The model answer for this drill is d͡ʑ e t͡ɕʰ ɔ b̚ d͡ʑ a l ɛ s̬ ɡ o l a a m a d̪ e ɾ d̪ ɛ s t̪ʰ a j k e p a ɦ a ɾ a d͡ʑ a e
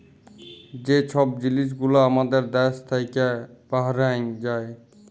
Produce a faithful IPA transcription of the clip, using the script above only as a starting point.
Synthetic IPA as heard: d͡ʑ e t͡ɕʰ ɔ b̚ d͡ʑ i l i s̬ ɡ u l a a m a d̪ e ɾ d̪ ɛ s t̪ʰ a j k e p a ɦ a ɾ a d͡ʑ a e